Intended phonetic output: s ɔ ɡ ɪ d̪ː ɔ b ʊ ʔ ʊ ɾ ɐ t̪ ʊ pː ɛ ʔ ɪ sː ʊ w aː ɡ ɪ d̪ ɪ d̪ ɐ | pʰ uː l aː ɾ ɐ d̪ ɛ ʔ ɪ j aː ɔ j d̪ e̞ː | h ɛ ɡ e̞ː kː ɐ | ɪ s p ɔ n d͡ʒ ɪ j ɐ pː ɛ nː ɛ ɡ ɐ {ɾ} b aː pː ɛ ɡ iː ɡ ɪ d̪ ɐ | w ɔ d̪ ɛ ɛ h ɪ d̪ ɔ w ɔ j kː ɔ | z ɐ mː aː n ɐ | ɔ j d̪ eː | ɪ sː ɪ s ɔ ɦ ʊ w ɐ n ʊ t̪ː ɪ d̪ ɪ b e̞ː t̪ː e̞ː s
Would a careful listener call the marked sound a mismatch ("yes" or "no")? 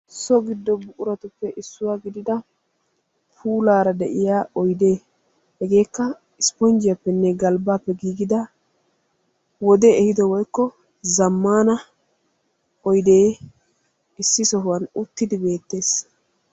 yes